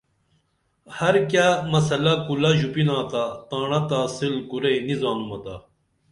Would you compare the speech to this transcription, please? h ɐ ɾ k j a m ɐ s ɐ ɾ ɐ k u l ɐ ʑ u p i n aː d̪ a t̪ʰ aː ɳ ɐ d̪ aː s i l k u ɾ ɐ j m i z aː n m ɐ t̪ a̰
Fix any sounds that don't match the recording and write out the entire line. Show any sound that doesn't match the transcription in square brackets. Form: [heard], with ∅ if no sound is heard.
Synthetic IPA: h ɐ ɾ k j a m ɐ s ɐ [l] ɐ k u l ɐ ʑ u p i n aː [t̪] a [t̪] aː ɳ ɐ [t̪] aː s i l k u ɾ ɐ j [n] i z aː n m ɐ t̪ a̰